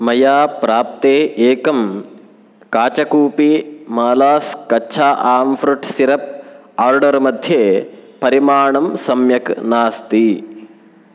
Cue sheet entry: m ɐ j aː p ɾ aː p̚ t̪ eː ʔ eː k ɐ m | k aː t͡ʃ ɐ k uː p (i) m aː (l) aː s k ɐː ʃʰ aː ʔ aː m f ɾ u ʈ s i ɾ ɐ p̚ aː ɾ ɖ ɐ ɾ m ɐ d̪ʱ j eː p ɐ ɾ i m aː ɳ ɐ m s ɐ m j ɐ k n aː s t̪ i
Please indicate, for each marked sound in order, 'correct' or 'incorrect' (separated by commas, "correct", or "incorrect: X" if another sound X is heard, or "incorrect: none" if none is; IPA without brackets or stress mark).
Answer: correct, correct